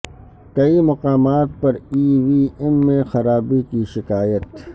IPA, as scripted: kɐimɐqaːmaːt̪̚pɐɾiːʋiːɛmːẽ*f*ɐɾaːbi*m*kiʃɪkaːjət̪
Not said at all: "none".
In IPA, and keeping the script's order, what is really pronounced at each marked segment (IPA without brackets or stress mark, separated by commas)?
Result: x, none